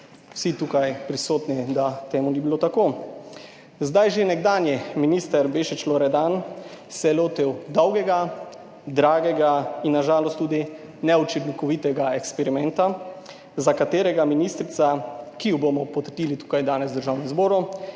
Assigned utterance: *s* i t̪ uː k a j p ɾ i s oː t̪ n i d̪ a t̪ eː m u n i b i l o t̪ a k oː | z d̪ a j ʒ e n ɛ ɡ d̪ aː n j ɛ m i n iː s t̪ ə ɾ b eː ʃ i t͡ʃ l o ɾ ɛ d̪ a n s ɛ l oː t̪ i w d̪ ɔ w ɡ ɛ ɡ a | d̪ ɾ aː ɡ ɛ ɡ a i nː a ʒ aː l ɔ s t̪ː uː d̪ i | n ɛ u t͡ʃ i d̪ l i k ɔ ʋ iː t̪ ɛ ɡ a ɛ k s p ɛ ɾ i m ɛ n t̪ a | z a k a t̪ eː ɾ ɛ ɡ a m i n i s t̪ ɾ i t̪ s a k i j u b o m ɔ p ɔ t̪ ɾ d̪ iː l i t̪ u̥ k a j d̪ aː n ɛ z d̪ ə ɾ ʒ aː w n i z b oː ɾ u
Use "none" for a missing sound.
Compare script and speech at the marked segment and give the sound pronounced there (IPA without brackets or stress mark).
s